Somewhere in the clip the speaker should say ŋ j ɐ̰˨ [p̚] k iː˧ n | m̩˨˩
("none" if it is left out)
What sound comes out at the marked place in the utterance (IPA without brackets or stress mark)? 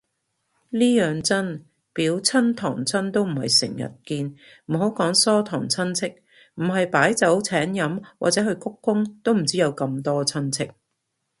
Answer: t̚